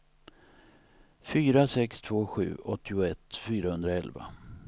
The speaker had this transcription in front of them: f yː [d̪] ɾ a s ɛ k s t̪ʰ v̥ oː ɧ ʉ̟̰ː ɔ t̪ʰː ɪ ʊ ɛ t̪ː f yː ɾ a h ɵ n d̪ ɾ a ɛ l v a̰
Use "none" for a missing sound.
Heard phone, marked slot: none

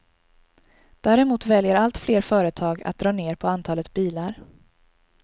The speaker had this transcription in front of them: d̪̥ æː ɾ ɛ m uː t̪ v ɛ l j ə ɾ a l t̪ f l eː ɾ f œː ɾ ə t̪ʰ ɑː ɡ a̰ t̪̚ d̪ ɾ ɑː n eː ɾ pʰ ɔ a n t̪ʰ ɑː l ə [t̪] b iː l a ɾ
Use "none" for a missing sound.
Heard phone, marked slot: t̪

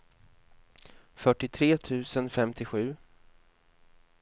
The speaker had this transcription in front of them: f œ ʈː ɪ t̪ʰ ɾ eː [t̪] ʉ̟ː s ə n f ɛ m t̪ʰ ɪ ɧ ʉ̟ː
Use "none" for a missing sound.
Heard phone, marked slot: t̪ʰ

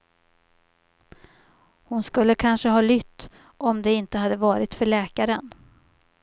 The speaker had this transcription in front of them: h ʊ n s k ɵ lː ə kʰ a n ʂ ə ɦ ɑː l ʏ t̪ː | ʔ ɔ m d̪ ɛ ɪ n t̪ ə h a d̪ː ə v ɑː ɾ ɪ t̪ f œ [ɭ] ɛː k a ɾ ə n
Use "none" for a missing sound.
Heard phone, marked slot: ɭ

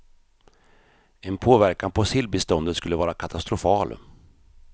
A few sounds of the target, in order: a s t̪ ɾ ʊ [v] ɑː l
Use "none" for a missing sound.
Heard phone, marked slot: f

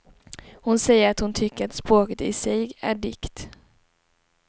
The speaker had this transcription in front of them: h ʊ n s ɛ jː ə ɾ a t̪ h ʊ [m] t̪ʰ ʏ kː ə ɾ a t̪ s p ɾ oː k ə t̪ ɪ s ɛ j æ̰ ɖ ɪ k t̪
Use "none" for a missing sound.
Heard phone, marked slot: n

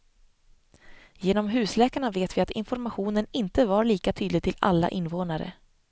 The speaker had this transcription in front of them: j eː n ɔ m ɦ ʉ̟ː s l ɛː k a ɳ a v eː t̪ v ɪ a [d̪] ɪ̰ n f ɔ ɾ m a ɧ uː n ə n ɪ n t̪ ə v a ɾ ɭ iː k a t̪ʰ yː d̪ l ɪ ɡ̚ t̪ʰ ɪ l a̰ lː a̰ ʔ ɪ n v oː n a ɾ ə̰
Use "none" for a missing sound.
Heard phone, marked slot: t̪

